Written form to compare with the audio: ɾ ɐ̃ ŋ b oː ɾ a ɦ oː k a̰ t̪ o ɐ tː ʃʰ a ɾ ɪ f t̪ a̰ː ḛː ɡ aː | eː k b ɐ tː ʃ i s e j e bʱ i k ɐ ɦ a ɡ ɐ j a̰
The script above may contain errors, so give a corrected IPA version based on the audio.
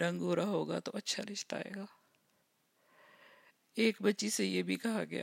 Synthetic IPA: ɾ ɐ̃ ŋ ɡ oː ɾ a ɦ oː ɡ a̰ t̪ o ɐ tː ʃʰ a ɾ ɪ ʃ t̪ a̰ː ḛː ɡ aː | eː k b ɐ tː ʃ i s e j e bʱ i k ɐ ɦ a ɡ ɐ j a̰